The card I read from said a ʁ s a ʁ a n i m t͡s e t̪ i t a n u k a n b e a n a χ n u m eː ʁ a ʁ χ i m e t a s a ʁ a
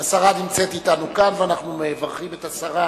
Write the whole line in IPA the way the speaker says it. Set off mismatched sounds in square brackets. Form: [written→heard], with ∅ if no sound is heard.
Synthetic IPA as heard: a [ʁ→∅] s a ʁ a n i m t͡s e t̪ i t a n u k a n [b→v] e a n a χ n u m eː [ʁ→v] a ʁ χ i m e t a s a ʁ a